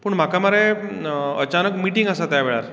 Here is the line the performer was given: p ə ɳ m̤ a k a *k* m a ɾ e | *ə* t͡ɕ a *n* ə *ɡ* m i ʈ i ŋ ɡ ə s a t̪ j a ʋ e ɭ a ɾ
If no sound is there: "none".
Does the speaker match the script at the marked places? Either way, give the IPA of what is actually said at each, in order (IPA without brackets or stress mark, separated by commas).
none, ə, n, k